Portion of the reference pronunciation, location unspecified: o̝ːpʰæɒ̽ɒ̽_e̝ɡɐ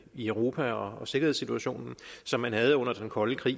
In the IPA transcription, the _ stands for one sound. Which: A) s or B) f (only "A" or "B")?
A